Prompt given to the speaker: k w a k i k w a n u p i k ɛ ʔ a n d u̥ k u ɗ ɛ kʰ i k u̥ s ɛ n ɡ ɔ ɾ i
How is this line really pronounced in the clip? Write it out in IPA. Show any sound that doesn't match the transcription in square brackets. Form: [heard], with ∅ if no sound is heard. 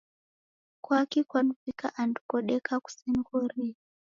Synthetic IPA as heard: k w a k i k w a n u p i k [a] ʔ a n d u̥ k [ɔ] ɗ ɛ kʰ [a] k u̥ s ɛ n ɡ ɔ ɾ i